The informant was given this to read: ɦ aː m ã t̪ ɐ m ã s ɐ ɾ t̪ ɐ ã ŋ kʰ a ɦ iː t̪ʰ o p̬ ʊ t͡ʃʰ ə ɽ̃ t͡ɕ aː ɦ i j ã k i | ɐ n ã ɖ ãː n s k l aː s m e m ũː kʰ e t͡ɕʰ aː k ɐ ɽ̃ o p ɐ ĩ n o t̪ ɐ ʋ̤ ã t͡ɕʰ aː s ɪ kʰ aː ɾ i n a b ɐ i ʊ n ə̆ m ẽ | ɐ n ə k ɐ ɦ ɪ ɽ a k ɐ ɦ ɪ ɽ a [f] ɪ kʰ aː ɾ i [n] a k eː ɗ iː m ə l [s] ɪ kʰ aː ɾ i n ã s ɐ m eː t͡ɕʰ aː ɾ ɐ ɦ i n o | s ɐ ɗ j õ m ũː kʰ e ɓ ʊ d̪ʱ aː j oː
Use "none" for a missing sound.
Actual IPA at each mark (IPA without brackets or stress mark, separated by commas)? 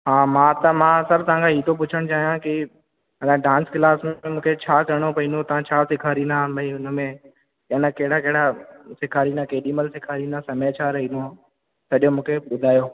s, n, s